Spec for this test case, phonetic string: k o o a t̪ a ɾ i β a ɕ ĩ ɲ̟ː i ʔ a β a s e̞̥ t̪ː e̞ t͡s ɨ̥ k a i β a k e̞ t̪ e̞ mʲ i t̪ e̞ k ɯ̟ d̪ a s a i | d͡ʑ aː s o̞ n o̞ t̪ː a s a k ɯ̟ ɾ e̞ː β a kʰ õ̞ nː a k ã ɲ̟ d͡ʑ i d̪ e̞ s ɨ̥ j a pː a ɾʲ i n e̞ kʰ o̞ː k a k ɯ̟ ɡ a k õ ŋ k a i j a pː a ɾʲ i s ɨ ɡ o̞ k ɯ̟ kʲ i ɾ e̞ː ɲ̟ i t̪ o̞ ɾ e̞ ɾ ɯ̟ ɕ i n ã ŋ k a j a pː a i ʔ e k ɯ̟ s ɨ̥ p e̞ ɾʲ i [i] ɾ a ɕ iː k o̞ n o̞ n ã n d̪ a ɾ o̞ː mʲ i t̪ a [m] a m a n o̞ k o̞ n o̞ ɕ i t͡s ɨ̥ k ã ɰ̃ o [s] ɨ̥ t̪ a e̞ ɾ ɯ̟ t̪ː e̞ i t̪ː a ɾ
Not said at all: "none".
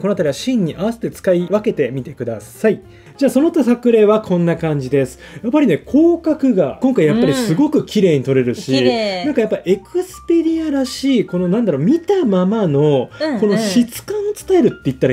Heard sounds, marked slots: a, m, t͡s

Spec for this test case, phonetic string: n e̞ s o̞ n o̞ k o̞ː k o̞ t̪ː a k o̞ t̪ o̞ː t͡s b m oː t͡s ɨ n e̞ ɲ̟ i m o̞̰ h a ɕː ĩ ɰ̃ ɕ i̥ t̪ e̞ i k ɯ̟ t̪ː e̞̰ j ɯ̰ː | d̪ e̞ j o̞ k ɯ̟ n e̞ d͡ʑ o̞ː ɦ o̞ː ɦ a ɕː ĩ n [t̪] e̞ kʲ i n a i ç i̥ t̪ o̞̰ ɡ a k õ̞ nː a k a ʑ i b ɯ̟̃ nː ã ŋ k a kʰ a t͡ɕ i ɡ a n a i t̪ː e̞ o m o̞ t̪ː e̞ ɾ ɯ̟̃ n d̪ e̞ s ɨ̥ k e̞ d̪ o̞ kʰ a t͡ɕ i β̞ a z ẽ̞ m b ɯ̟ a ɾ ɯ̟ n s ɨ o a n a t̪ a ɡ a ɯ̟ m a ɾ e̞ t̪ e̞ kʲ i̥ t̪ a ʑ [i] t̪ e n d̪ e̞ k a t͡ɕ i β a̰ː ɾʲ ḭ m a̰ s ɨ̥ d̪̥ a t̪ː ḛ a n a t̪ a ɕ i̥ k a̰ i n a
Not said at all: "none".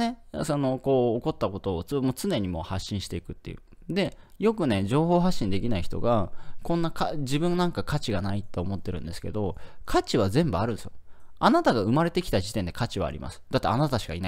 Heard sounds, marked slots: d̪, i

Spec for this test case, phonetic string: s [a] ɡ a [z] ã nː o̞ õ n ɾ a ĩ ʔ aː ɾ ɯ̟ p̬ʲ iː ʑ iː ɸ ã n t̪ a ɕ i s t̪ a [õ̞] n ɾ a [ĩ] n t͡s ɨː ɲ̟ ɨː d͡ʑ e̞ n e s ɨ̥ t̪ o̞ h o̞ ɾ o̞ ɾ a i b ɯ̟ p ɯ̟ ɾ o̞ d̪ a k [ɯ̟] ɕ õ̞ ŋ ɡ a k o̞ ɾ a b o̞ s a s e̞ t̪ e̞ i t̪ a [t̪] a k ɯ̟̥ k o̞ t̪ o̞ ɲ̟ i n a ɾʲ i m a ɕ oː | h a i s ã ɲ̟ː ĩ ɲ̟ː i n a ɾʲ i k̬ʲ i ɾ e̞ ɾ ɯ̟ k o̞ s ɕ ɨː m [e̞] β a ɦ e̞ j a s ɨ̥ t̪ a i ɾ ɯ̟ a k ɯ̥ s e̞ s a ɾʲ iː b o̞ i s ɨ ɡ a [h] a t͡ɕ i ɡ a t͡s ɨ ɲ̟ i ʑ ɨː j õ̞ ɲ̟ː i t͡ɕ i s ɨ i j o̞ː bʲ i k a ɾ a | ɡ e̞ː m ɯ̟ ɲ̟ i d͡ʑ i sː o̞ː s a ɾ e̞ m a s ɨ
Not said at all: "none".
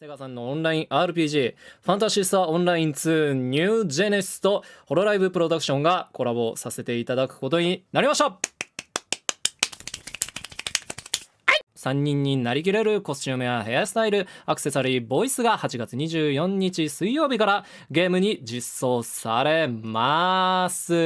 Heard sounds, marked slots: e, s, õ̞, ĩ, ɯ̟, d̪, e̞, h

